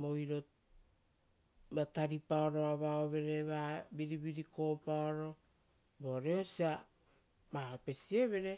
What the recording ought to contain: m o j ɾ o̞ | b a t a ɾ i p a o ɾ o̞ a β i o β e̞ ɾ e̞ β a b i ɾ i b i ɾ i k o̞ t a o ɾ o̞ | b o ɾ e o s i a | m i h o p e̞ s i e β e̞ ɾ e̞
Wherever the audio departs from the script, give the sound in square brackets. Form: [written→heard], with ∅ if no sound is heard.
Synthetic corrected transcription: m o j ɾ o̞ | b a t a ɾ i p a o ɾ o̞ a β [i→a] o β e̞ ɾ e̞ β a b i ɾ i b i ɾ i k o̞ [t→p] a o ɾ o̞ | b o ɾ e o s i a | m [i→a] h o p e̞ s i e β e̞ ɾ e̞